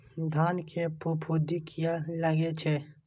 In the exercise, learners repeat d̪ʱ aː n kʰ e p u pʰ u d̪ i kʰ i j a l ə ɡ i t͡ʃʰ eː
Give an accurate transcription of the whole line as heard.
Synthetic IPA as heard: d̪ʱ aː n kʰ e p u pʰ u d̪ i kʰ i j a l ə ɡ e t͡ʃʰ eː